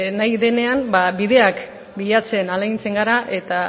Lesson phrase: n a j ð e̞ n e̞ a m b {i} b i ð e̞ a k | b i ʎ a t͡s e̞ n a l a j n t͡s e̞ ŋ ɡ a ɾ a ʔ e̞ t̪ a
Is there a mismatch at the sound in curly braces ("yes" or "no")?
yes